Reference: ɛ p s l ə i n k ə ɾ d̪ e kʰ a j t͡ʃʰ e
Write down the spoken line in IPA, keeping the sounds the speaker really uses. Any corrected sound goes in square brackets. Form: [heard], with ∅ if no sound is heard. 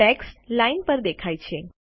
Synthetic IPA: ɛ [k] s l [a] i n [p] ə ɾ d̪ e kʰ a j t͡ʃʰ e